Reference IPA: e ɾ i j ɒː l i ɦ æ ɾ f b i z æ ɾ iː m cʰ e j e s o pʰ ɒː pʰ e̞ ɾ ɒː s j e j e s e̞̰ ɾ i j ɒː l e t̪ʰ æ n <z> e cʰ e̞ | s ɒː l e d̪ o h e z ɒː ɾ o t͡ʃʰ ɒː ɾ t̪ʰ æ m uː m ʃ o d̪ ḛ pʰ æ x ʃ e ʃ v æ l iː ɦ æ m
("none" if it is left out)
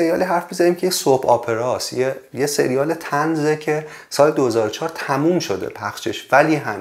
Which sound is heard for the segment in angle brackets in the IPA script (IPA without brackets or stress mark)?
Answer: z